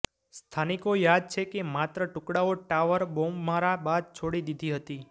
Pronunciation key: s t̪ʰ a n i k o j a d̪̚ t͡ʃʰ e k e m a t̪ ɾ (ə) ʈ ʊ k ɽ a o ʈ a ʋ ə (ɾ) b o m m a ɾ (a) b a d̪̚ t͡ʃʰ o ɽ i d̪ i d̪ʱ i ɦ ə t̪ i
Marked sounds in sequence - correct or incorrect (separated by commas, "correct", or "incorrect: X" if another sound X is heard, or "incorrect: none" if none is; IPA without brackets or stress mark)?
correct, correct, correct